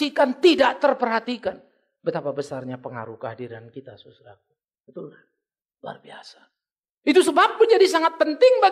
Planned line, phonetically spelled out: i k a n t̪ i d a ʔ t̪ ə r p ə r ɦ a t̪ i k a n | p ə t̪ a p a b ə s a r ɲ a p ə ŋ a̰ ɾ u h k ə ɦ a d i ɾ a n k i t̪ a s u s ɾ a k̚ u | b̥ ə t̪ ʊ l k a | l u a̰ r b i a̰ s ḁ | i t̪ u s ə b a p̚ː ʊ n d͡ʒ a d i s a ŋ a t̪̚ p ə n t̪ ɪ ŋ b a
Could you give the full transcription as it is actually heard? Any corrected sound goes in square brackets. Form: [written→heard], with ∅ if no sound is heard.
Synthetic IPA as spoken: i k a n t̪ i d a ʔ t̪ ə r p ə r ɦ a t̪ i k a n | [p→b] ə t̪ a p a b ə s a r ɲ a p ə ŋ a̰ ɾ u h k ə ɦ a d i ɾ a n k i t̪ a s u s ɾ a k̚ u | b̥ ə t̪ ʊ l k a | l u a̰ r b i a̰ s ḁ | i t̪ u s ə b a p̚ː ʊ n d͡ʒ a d i s a ŋ a t̪̚ p ə n t̪ ɪ ŋ b a